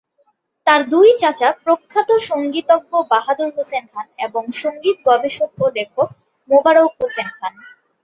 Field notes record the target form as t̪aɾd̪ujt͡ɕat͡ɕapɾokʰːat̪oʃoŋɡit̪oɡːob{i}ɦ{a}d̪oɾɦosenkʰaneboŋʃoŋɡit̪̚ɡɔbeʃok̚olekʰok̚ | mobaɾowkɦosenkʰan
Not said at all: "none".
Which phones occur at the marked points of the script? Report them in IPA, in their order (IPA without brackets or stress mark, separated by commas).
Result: a, a